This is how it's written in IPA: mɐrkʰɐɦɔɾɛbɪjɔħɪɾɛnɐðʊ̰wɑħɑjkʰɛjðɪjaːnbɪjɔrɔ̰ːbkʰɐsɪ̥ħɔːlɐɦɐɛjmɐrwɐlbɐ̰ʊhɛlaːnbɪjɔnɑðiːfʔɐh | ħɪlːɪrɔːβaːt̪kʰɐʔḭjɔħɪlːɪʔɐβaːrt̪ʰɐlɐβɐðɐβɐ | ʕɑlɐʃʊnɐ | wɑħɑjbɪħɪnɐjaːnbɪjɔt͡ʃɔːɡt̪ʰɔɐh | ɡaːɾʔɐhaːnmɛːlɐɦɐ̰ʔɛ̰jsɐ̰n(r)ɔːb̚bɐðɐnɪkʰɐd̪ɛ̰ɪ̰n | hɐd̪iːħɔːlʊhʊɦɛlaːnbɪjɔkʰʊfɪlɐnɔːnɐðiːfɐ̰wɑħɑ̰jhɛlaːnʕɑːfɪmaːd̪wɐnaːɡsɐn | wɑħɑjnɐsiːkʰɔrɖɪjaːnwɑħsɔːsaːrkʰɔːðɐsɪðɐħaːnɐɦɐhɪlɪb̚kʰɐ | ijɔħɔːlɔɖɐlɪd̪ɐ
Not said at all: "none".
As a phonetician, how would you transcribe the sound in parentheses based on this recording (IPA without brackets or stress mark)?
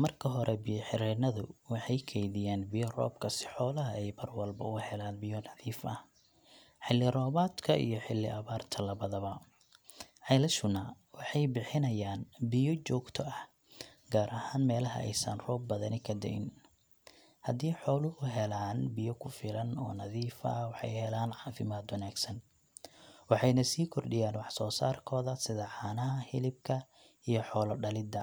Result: r